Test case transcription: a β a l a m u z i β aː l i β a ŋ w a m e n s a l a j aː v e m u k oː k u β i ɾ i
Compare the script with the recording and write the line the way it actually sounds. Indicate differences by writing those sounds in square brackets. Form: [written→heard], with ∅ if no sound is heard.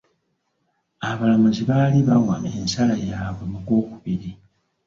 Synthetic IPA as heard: a β a l a m u z i β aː l i β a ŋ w a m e n s a l a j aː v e m u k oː k u β i ɾ i